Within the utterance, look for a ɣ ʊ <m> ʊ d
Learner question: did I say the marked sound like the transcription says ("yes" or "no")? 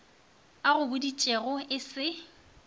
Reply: no